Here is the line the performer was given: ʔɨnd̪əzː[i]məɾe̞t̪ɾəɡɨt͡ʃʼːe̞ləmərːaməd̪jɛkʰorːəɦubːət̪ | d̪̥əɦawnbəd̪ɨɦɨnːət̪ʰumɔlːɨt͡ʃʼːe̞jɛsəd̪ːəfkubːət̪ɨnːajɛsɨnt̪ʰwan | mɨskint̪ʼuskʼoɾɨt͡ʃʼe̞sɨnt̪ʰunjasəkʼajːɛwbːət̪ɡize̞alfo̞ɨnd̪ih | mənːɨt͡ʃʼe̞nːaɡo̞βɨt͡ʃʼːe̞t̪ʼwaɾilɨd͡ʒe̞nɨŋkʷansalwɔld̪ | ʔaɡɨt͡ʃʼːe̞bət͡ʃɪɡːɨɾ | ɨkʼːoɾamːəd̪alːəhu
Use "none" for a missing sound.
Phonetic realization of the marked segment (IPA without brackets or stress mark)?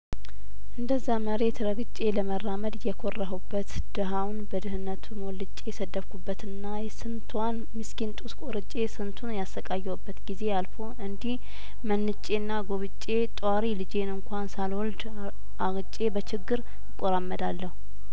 a